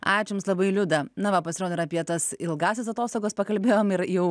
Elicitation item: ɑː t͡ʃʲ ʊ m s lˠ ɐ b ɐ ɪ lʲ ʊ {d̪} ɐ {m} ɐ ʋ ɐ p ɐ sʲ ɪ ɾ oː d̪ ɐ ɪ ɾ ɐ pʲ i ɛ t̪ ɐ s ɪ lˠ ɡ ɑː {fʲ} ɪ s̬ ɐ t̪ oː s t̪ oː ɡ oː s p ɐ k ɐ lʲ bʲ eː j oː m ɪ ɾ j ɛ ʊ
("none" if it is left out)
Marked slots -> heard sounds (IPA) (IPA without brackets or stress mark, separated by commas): d̪, n, sʲ